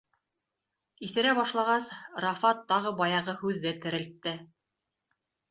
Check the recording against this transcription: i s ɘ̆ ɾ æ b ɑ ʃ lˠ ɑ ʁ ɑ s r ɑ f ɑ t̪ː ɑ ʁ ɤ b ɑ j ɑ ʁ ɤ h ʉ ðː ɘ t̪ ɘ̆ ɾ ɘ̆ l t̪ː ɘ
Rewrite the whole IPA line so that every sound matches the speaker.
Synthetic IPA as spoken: i θ ɘ̆ ɾ æ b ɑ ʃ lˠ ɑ ʁ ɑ s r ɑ f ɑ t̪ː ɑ ʁ ɤ b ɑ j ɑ ʁ ɤ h ʉ ðː ɘ t̪ ɘ̆ ɾ ɘ̆ l t̪ː ɘ